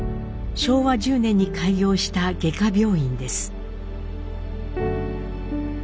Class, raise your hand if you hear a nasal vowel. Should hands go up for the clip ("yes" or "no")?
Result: yes